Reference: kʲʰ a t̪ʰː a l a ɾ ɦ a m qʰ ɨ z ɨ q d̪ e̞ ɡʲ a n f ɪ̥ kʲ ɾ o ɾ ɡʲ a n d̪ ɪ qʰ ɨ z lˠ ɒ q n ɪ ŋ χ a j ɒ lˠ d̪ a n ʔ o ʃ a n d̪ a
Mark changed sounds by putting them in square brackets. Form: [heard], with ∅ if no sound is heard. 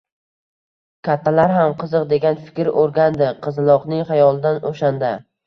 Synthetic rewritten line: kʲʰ a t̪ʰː a l a ɾ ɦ a m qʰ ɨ z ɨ q d̪ e̞ ɡʲ a n f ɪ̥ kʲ ɾ o ɾ ɡʲ a n d̪ ɪ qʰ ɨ z lˠ ɒ q n ɪ ŋ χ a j ɒ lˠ d̪ a n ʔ o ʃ a n d̪ a